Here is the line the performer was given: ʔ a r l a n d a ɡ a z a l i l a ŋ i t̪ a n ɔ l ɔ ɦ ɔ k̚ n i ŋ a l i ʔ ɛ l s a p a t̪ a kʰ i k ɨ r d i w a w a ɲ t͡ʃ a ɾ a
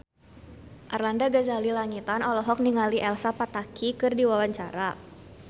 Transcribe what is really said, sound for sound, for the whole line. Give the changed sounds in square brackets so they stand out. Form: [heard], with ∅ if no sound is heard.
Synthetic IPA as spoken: ʔ a r l a n d a ɡ a z a l i l a ŋ i t̪ a n ɔ l ɔ ɦ ɔ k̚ n i ŋ a l i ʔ ɛ l s a p a t̪ a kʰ i k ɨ r d i w a w a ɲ t͡ʃ a ɾ a